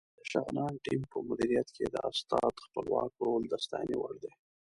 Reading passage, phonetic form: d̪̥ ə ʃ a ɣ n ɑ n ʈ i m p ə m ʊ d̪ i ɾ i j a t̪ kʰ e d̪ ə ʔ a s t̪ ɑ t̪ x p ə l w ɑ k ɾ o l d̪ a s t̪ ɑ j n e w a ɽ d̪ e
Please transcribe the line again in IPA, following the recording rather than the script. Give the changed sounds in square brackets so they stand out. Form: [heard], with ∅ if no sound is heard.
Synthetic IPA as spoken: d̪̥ ə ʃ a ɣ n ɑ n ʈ i m p ə m ʊ d̪ i ɾ i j a t̪ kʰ e d̪ ə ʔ a s t̪ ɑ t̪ x p ə l w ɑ k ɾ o l d̪ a s t̪ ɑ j n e w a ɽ d̪ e